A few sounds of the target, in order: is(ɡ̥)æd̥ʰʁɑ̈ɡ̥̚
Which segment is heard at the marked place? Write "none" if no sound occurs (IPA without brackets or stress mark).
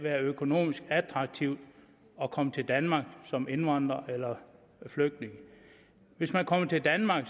ɡ̥